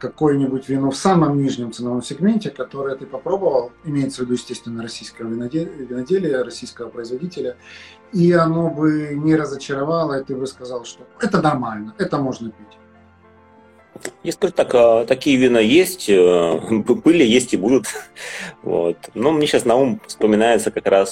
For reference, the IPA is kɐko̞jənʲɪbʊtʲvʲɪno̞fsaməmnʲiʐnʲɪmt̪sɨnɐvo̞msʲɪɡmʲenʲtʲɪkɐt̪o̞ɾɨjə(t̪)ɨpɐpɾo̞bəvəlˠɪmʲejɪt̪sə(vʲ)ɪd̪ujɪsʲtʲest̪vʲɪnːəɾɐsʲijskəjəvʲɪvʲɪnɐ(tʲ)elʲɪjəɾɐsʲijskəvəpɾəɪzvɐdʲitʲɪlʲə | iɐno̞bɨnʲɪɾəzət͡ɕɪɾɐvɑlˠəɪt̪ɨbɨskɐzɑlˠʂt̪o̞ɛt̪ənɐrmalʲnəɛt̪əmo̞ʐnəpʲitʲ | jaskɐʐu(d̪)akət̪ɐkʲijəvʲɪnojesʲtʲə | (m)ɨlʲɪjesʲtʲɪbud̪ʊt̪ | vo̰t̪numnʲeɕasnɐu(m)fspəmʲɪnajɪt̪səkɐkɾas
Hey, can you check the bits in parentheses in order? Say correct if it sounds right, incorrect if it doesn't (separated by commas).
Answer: correct, correct, incorrect, incorrect, incorrect, correct